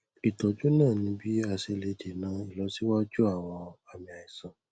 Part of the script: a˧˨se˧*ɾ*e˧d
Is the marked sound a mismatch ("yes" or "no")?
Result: yes